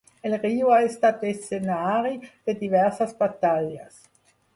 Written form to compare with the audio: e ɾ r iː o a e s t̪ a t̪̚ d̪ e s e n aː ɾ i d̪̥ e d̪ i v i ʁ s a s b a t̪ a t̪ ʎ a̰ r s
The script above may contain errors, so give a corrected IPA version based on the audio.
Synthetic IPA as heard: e l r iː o a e s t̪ a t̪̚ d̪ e s e n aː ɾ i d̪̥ e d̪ i v ɛ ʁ s a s b a t̪ a ʎ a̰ s